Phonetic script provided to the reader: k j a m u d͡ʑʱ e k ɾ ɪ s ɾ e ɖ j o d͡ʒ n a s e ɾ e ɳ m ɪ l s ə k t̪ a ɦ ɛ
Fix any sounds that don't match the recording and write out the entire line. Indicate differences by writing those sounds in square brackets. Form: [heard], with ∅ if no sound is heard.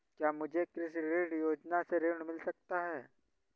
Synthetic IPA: k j a m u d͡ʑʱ e k ɾ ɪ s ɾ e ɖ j o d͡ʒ n a s e ɾ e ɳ m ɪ l s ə k t̪ a ɦ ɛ